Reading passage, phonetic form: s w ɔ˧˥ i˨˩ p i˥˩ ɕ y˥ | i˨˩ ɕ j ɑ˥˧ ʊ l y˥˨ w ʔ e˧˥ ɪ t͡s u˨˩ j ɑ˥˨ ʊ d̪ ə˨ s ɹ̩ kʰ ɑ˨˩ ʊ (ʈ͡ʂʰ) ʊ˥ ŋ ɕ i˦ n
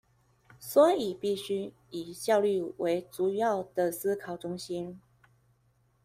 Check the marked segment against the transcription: incorrect: ʈ͡ʂ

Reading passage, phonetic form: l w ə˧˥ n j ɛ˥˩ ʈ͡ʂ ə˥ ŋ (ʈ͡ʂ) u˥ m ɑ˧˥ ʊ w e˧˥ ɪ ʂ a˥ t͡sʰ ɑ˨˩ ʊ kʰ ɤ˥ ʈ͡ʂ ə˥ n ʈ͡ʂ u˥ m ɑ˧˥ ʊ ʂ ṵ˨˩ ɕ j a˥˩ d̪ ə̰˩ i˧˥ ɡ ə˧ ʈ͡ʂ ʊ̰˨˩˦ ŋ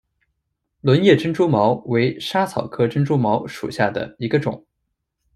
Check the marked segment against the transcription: correct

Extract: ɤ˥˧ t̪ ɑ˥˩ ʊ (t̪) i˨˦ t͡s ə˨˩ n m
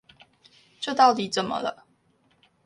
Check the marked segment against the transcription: correct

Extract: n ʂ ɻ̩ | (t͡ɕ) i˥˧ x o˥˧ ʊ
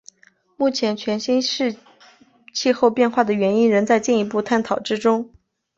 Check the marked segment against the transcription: incorrect: t͡ɕʰ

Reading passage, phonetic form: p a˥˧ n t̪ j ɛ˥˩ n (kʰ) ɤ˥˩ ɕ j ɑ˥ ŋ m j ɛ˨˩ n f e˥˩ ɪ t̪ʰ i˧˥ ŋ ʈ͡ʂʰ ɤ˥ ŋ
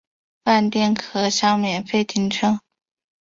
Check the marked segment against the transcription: correct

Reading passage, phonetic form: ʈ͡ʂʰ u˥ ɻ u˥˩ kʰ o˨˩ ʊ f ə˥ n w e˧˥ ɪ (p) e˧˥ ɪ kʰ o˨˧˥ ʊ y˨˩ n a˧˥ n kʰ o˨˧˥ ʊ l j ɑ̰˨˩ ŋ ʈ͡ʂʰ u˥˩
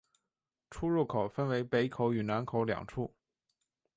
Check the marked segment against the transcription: correct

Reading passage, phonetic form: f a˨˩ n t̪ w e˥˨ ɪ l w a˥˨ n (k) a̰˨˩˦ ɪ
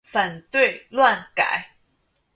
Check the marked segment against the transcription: correct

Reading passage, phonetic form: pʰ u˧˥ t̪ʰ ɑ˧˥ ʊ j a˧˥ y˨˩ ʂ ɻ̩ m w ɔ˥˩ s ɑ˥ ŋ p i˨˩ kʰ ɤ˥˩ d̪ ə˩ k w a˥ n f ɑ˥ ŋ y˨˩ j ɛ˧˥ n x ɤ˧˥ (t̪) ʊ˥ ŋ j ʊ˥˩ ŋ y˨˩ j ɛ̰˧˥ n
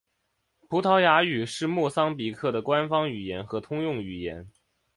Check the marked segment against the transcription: incorrect: t̪ʰ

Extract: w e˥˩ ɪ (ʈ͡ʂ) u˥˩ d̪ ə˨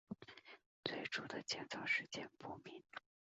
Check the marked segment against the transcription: correct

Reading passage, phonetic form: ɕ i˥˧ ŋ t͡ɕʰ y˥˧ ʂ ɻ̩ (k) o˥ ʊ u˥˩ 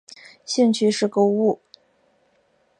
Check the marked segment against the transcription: correct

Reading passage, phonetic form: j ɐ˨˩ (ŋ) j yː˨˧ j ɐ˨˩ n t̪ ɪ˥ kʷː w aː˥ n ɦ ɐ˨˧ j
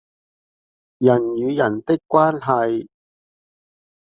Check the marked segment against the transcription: incorrect: n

